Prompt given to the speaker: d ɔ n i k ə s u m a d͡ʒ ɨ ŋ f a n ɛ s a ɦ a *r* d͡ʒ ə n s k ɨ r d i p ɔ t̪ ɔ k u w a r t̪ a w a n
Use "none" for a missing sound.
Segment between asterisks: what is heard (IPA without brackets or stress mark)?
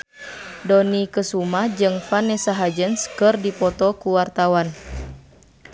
none